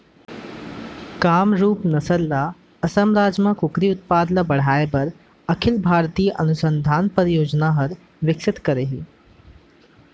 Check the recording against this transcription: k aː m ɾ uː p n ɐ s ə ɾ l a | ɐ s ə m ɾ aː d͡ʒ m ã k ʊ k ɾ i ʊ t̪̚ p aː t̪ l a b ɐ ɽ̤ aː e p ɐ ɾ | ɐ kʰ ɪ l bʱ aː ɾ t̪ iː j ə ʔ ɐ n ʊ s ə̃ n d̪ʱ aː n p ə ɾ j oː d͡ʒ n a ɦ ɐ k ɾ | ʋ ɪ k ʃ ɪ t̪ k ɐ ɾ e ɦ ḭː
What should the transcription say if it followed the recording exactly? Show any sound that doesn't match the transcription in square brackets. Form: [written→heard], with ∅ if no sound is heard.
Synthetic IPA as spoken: k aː m ɾ uː p n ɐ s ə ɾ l a | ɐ s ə m ɾ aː d͡ʒ m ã k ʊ k ɾ i ʊ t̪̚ p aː [t̪→d̪] l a b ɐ ɽ̤ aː e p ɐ ɾ | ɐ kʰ ɪ l bʱ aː ɾ t̪ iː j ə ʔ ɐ n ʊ s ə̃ n d̪ʱ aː n p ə ɾ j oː d͡ʒ n a ɦ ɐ [k→∅] ɾ | ʋ ɪ k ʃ ɪ t̪ k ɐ ɾ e ɦ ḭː